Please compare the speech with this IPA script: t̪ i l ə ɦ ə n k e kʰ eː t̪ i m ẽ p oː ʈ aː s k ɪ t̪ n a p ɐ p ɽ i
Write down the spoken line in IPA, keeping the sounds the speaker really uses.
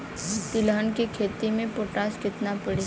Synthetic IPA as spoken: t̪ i l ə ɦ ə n k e kʰ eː t̪ i m ẽ p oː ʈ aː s k ɪ t̪ n a p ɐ ɽ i